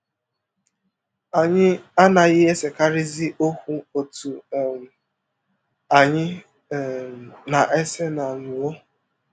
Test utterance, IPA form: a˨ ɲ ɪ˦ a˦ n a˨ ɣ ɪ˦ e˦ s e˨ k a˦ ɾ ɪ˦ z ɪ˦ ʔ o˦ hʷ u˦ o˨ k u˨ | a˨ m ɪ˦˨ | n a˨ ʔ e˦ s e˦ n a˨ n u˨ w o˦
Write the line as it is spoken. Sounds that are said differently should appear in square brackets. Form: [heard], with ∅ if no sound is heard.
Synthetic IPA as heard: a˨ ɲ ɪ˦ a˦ n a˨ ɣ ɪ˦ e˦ s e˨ k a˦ ɾ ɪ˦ z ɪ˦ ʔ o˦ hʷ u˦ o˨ [t] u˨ | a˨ [ɲ] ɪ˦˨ | n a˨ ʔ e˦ s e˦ n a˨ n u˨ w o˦

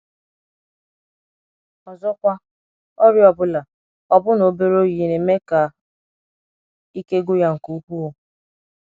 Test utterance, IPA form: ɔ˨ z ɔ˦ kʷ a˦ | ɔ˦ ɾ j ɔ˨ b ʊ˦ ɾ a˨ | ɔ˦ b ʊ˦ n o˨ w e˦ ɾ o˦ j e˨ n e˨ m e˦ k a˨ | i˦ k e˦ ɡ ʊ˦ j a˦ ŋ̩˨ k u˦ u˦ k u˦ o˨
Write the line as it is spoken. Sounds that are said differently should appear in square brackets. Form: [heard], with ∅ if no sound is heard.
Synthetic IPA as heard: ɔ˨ z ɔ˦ kʷ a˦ | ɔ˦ ɾ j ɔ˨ b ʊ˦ [l] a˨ | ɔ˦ b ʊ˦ n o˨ [b] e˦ ɾ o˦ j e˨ n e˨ m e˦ k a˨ | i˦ k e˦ ɡ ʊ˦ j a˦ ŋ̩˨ k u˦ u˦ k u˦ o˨

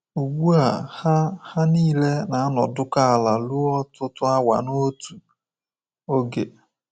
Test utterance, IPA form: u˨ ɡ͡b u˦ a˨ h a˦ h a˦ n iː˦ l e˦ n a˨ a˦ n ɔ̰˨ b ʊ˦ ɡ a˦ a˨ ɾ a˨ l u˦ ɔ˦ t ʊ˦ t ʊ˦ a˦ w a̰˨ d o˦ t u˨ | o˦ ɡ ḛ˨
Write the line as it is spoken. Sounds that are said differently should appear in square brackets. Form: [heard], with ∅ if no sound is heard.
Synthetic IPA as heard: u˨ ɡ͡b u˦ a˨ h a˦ h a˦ n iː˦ l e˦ n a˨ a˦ n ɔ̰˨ [d] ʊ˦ [k] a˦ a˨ [l] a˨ l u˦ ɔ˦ t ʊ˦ t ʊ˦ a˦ w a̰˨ [n] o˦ t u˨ | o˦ ɡ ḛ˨

